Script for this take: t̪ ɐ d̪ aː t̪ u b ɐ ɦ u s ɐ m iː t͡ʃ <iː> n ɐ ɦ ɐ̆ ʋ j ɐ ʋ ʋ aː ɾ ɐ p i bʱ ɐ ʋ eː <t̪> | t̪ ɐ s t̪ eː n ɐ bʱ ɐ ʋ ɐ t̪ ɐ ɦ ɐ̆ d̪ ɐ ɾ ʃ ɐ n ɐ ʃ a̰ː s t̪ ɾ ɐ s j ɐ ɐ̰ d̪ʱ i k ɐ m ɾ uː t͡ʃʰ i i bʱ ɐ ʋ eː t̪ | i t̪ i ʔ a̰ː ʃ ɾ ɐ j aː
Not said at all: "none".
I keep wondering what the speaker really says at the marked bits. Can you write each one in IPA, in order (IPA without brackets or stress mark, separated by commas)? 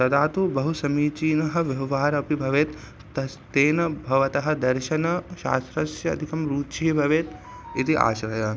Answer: iː, t̪